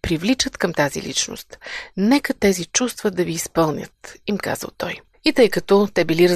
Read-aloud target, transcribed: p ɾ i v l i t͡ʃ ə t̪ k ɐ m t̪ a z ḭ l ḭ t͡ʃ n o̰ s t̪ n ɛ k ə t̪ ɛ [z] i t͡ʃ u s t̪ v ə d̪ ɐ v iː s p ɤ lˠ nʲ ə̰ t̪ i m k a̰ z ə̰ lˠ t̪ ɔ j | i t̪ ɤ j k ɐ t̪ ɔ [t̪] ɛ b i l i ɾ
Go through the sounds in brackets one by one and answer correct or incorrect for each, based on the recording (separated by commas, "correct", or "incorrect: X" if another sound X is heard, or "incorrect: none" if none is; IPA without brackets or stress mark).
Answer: correct, correct